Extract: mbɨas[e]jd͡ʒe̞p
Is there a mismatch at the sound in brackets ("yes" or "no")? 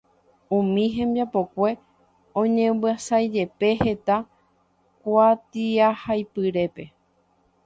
yes